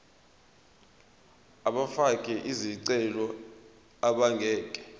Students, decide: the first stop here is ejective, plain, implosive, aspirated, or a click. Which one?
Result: implosive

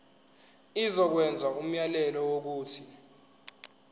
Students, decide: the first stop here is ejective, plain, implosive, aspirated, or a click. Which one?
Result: plain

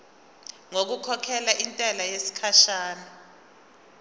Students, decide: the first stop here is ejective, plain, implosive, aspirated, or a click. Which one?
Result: plain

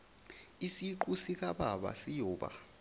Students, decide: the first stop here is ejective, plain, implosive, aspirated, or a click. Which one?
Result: click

